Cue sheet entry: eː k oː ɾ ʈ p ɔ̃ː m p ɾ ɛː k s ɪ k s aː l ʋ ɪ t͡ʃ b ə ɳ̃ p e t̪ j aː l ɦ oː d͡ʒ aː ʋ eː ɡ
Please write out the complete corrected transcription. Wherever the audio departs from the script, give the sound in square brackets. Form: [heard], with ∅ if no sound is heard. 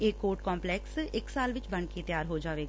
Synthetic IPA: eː k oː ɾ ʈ [k] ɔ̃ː m p [l] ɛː k s ɪ k s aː l ʋ ɪ t͡ʃ b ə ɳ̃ [k] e t̪ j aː [ɾ] ɦ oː d͡ʒ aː ʋ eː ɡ

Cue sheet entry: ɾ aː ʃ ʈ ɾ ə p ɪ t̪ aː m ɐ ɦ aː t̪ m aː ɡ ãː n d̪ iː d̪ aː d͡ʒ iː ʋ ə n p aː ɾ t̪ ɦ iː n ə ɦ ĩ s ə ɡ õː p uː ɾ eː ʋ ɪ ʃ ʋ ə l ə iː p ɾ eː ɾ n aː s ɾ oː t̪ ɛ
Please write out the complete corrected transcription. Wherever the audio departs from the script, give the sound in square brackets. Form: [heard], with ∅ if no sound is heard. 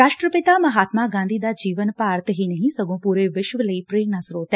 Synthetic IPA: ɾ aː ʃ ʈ ɾ ə p ɪ t̪ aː m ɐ ɦ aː t̪ m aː ɡ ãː n d̪ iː d̪ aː d͡ʒ iː ʋ ə n p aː ɾ t̪ ɦ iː n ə ɦ ĩ s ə ɡ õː p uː ɾ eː ʋ ɪ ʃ ʋ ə l ə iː p ɾ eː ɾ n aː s ɾ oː t̪ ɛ

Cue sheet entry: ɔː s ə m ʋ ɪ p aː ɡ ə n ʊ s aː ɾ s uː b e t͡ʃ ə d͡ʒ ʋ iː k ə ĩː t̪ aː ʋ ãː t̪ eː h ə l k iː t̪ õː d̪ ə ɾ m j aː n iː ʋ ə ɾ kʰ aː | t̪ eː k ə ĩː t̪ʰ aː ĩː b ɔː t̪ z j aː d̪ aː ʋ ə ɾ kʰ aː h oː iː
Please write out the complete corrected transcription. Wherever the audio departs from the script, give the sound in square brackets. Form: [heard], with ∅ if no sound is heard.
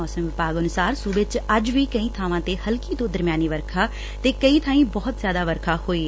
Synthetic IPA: ɔː s ə m ʋ ɪ p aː ɡ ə n ʊ s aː ɾ s uː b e t͡ʃ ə d͡ʒ ʋ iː k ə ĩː [t̪ʰ] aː ʋ ãː t̪ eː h ə l k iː t̪ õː d̪ ə ɾ m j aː n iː ʋ ə ɾ kʰ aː | t̪ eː k ə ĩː t̪ʰ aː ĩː b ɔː t̪ z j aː d̪ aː ʋ ə ɾ kʰ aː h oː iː

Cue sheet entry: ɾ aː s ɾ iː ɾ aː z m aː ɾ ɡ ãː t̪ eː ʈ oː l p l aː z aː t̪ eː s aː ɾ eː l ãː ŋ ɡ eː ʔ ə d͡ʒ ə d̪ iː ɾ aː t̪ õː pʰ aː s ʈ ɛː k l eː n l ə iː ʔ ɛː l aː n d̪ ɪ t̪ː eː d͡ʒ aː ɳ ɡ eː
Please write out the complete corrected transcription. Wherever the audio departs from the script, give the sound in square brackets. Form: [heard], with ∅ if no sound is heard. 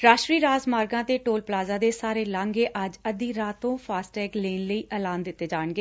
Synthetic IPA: ɾ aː [ʃ] ɾ iː ɾ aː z m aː ɾ ɡ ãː t̪ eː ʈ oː l p l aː z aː [d̪] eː s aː ɾ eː l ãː ŋ ɡ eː ʔ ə d͡ʒ ə d̪ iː ɾ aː t̪ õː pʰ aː s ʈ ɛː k l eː n l ə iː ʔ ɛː l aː n d̪ ɪ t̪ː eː d͡ʒ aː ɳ ɡ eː

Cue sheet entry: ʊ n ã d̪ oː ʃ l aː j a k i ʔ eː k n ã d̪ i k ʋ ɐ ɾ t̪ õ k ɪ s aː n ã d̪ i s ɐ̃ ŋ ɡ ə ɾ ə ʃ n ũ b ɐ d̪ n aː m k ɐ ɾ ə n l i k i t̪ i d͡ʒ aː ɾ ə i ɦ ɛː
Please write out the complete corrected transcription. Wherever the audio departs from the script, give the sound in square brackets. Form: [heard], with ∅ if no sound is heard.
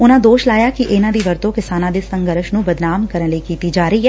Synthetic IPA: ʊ n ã d̪ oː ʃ l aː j a k i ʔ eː [∅] n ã d̪ i [∅] ʋ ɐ ɾ t̪ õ k ɪ s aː n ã d̪ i s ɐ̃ ŋ ɡ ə ɾ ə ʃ n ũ b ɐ d̪ n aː m k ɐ ɾ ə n l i k [iː] t̪ i d͡ʒ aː ɾ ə i ɦ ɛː

